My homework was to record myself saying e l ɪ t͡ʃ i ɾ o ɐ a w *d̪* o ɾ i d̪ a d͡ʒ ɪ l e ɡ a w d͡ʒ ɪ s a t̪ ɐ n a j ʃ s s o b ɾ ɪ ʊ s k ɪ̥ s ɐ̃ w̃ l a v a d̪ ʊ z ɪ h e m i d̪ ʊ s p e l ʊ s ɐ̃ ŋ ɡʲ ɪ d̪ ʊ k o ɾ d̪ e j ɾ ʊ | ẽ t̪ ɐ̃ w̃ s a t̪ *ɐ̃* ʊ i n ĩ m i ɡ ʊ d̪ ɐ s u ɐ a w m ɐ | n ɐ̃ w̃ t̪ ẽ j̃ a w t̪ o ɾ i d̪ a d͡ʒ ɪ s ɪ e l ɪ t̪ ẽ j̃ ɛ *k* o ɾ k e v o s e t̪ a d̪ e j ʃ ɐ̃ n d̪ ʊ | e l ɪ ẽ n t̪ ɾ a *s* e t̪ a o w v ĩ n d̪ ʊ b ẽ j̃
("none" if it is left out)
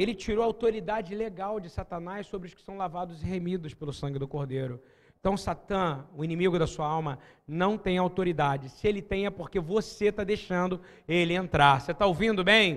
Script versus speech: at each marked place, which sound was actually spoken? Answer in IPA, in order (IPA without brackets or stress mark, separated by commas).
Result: t̪, ɐ̃, p, s